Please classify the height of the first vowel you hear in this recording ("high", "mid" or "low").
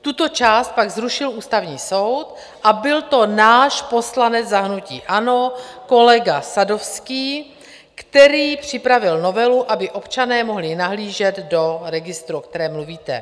high